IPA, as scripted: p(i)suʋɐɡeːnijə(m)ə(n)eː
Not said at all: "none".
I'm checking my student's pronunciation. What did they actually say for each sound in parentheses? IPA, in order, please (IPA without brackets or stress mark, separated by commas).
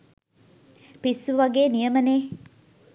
i, m, n